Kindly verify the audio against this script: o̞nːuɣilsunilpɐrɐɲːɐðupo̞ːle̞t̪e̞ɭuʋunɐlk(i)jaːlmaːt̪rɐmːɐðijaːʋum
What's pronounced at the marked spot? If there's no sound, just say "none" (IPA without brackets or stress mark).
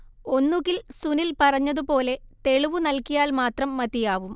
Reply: i